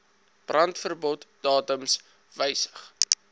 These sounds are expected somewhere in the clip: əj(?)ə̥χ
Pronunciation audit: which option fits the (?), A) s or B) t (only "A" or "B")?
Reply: A